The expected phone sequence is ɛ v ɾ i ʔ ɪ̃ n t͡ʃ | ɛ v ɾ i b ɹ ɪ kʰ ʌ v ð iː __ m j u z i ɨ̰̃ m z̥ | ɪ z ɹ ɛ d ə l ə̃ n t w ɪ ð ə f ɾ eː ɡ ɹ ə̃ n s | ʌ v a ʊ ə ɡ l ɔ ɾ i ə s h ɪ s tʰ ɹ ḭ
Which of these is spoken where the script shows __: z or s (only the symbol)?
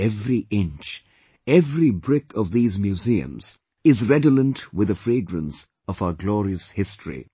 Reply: z